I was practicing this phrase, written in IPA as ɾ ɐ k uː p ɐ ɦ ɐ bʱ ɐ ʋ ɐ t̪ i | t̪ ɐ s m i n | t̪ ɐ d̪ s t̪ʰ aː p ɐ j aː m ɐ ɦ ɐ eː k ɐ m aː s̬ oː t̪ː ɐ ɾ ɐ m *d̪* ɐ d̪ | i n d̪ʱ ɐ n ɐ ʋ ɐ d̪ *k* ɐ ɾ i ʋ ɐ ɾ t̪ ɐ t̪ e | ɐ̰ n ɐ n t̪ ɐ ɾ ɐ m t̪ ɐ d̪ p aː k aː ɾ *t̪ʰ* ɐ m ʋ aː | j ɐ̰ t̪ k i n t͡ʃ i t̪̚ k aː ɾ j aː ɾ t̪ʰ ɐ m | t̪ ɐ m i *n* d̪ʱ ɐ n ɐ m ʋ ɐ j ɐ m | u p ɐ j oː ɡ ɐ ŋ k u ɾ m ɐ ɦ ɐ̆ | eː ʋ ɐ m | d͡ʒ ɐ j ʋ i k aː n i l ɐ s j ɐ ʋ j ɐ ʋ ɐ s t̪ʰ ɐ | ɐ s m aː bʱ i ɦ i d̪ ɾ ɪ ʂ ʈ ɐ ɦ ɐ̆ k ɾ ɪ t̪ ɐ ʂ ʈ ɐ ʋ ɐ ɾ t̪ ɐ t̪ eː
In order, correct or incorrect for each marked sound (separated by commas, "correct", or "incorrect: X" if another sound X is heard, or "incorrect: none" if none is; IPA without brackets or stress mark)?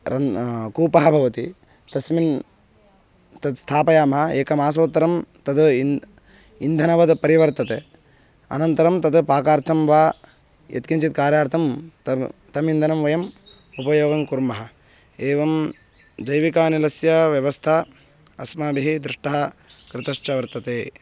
incorrect: t̪, incorrect: p, correct, correct